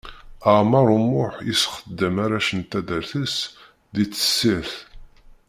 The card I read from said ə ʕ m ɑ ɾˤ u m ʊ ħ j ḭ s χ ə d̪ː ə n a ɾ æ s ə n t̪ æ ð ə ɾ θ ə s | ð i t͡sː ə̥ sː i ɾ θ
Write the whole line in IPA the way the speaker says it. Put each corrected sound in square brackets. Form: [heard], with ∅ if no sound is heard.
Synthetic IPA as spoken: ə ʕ m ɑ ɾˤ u m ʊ ħ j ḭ s χ ə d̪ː ə [m] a ɾ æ [ʃ] ə n t̪ æ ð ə ɾ θ ə s | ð i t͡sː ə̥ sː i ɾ θ